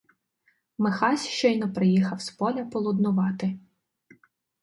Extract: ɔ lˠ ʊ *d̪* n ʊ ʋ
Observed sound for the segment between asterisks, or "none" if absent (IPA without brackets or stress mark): d̪